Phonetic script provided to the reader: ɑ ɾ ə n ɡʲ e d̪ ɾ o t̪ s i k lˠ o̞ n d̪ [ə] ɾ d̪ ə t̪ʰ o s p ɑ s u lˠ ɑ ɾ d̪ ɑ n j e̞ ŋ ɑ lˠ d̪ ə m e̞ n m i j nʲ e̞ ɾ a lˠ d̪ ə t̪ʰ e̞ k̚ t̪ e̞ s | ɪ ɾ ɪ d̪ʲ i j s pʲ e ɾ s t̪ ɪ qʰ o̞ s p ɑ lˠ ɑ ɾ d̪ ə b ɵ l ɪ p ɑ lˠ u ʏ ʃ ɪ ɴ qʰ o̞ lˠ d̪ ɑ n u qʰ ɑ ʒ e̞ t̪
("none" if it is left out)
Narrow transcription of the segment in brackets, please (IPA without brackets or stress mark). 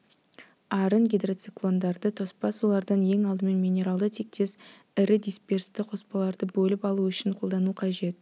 ɑ